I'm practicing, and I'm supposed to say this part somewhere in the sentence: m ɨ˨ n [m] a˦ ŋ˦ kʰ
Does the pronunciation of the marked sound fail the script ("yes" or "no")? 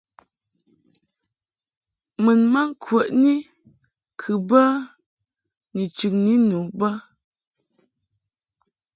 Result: no